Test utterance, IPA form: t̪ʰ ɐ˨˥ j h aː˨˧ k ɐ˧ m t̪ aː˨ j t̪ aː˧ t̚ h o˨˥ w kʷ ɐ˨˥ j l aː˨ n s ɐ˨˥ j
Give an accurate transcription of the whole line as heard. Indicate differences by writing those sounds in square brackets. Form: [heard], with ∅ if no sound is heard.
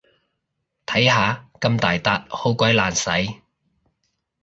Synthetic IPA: t̪ʰ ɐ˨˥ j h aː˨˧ k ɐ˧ m t̪ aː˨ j t̪ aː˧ t̚ h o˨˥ w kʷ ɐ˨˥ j l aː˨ n s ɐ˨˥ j